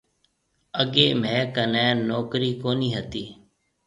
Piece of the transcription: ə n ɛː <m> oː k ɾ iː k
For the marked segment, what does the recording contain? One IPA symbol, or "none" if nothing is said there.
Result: n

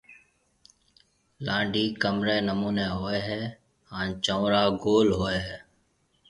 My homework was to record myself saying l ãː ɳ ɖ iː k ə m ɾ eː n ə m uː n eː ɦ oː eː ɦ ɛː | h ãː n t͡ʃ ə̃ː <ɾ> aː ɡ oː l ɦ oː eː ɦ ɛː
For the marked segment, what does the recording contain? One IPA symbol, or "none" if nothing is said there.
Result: ɾ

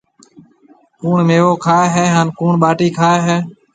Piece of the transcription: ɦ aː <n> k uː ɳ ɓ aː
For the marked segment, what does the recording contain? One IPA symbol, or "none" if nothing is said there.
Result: n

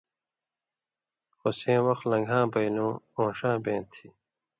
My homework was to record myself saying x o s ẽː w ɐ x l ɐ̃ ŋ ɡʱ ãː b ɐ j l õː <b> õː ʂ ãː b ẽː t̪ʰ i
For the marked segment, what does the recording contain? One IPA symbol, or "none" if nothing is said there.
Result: none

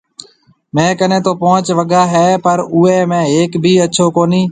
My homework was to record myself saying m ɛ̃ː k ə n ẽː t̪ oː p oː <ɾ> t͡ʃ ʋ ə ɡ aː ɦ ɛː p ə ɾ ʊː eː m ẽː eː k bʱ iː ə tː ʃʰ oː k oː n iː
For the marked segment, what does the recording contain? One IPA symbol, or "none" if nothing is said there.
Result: none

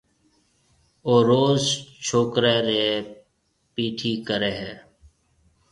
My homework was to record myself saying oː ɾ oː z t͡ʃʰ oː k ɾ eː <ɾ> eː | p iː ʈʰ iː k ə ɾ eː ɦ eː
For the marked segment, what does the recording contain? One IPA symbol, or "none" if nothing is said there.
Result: ɾ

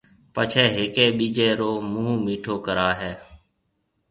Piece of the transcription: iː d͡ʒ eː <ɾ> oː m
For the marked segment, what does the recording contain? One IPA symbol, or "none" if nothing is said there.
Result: ɾ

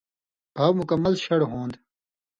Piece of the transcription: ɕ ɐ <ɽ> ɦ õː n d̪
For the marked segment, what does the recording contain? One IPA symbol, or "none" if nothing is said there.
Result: ɽ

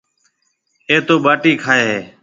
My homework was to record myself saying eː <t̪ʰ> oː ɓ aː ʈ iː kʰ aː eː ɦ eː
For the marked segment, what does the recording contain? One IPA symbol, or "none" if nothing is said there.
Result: t̪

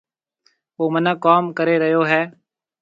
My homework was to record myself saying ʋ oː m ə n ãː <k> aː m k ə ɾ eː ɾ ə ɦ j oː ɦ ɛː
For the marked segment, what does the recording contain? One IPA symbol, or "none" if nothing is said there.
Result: k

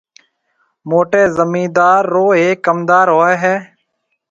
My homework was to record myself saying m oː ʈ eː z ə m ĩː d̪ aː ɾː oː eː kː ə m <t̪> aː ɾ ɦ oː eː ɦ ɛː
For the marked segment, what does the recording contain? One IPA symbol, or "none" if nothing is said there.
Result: d̪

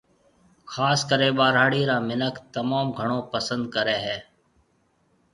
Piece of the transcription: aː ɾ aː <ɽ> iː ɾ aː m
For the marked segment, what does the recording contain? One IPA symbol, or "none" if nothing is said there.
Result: ɽ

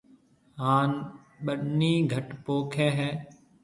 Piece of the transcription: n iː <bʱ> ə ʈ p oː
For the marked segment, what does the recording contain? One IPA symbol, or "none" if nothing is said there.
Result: ɡʱ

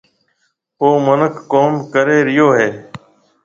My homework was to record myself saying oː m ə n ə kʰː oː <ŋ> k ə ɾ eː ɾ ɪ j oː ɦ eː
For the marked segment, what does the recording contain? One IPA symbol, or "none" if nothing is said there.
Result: m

